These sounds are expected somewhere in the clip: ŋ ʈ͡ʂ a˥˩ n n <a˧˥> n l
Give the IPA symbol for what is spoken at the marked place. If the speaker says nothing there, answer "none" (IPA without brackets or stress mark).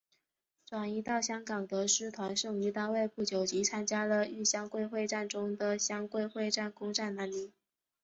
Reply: a˧˥